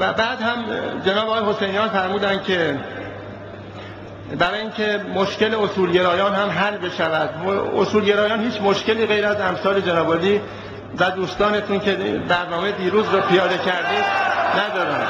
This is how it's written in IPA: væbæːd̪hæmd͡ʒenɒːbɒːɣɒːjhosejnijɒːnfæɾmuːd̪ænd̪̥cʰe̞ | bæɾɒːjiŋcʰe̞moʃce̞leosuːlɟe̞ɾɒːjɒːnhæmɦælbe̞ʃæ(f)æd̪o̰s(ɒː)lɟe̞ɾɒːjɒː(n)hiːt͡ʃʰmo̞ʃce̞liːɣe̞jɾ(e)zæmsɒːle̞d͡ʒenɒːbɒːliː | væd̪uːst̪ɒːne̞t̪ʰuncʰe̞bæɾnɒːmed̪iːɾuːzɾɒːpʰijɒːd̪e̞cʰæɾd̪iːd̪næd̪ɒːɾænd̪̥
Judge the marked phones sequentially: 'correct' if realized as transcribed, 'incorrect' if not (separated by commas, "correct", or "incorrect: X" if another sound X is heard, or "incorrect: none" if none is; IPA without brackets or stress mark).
incorrect: v, incorrect: uː, correct, incorrect: æ